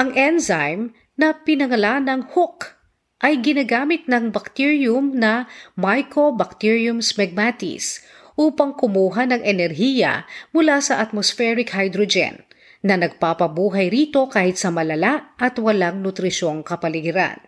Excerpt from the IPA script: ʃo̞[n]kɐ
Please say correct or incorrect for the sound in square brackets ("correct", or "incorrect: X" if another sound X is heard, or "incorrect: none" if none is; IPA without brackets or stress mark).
incorrect: ŋ